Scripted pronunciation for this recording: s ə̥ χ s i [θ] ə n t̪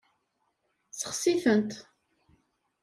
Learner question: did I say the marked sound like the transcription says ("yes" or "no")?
yes